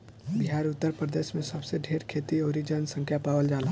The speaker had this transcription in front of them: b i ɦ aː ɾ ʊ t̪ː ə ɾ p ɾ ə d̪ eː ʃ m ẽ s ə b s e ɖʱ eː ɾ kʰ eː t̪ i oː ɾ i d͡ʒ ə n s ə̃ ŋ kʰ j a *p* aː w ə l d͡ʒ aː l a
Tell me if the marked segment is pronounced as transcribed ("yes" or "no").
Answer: yes